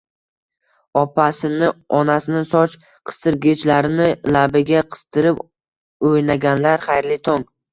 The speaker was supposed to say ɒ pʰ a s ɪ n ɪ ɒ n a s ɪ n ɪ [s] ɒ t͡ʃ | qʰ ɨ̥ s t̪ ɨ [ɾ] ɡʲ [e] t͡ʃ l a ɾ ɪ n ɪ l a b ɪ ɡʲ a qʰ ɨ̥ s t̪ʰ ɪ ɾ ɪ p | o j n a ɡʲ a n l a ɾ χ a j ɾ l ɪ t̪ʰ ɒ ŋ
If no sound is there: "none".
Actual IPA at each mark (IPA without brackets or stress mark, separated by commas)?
s, ɾ, e